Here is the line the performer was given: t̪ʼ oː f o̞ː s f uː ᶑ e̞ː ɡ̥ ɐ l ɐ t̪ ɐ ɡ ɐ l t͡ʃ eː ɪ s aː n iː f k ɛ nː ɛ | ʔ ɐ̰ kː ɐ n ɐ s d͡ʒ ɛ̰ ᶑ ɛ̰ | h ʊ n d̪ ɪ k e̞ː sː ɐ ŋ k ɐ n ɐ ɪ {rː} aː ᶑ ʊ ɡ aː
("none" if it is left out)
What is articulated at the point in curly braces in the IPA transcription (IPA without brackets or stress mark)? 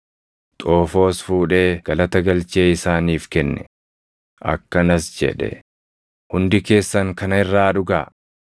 rː